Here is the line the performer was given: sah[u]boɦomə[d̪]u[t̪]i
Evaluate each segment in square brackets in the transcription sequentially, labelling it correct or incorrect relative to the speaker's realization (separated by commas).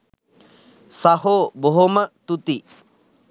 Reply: incorrect, incorrect, correct